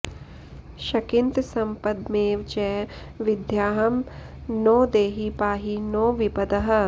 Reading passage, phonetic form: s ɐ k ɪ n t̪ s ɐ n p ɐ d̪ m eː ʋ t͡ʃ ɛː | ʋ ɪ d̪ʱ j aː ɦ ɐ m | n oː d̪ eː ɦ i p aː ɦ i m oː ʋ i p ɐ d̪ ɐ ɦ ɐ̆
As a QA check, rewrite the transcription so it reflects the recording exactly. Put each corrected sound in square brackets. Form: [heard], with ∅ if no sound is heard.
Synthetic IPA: [ʃ] ɐ k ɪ n t̪ s ɐ [m] p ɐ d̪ m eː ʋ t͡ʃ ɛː | ʋ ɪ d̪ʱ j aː ɦ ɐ m | n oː d̪ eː ɦ i p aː ɦ i [n] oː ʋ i p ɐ d̪ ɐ ɦ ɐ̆